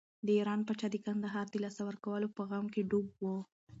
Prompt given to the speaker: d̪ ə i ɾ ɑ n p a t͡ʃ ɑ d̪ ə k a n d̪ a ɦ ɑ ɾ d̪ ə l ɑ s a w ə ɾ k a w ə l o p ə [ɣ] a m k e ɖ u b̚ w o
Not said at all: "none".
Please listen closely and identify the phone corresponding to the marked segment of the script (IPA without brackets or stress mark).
ɣ